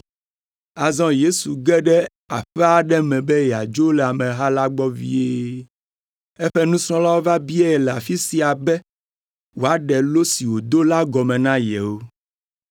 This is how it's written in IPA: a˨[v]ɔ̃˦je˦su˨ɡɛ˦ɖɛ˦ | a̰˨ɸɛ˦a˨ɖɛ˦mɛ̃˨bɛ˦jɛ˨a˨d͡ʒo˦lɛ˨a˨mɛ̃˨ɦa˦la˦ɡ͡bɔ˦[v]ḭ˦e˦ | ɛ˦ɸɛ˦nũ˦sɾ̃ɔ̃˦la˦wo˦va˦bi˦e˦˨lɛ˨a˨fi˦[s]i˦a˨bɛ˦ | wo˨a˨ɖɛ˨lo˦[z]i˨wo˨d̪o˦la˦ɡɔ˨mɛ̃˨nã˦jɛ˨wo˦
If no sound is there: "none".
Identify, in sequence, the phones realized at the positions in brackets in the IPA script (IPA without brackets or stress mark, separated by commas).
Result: z, v, s, s